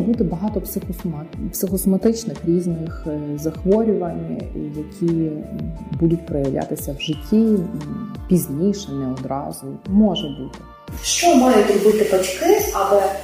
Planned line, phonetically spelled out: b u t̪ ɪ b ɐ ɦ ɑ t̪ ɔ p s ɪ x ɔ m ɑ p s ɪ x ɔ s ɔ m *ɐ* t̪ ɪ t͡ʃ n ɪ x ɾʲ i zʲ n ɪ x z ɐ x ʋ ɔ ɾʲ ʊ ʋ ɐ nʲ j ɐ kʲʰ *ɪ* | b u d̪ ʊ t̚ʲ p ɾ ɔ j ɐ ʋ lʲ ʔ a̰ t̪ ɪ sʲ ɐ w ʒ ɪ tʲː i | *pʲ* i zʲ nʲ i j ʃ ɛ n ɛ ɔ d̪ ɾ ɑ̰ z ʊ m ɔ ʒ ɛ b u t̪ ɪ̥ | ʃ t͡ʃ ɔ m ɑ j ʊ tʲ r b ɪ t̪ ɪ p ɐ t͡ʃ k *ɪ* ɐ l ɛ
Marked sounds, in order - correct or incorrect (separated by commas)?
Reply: correct, incorrect, correct, correct